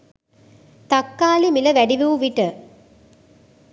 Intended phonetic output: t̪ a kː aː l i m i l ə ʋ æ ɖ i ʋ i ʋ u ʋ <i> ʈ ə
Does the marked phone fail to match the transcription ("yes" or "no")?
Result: no